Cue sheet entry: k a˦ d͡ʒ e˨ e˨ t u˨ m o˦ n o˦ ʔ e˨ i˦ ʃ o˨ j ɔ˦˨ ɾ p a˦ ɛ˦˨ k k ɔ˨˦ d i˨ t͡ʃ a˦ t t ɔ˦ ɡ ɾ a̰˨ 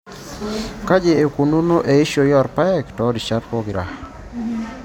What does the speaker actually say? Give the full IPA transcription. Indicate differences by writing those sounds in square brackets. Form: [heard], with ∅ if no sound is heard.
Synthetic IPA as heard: k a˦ d͡ʒ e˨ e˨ [k] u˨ [n] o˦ n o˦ ʔ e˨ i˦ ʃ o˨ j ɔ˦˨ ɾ p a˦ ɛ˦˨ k [t] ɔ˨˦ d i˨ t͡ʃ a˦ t [p] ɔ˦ ɡ ɾ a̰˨